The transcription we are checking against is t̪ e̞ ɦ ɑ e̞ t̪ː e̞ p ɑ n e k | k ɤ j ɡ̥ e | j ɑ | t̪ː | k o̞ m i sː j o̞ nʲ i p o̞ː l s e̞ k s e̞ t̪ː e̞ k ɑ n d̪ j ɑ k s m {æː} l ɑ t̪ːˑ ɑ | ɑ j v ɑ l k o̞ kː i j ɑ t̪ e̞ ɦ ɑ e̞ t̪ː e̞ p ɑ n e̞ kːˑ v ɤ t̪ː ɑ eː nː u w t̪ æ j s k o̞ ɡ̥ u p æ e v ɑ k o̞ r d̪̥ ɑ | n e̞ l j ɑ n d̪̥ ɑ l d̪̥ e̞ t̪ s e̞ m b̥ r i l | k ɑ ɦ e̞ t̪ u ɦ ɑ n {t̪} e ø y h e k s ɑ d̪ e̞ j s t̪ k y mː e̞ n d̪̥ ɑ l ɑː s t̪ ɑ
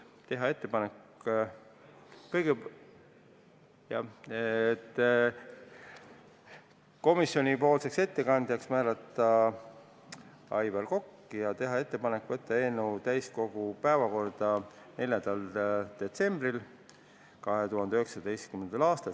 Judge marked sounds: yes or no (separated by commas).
yes, no